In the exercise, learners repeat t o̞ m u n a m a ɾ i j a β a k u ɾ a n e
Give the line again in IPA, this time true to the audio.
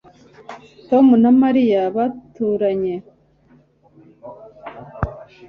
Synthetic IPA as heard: t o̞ m u n a m a ɾ i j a β a t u ɾ a ɲ e